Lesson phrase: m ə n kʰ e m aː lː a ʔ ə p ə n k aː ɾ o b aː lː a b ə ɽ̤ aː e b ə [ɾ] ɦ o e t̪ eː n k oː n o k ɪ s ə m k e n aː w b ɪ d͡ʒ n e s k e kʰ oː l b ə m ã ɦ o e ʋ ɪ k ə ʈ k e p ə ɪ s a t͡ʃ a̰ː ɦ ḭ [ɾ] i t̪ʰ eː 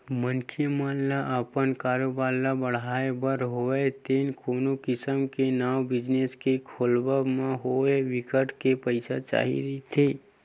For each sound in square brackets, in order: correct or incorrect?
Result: correct, correct

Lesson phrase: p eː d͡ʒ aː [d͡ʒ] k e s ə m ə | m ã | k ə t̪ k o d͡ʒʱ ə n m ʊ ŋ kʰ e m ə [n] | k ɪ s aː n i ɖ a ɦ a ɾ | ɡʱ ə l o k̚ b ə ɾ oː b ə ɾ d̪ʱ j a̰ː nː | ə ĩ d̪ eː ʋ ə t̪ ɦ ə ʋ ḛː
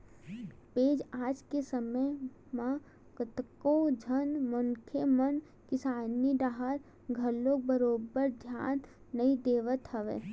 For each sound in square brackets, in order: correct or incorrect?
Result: correct, correct

